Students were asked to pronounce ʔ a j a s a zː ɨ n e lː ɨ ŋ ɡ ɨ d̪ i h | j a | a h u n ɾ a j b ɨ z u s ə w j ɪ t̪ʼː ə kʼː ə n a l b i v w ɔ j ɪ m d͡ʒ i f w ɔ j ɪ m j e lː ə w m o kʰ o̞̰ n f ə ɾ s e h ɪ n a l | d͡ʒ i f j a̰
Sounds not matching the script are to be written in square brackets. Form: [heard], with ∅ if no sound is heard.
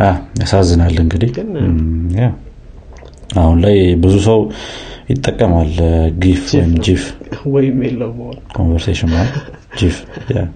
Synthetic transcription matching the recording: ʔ a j a s a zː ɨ n [a] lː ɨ ŋ ɡ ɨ d̪ i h | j a | a h u n [l] a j b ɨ z u s ə w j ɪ t̪ʼː ə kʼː ə [m] a l [ɡ] i [f] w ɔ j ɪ m d͡ʒ i f w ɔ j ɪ m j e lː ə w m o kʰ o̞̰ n [v] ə ɾ s e [ʃ] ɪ n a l | d͡ʒ i f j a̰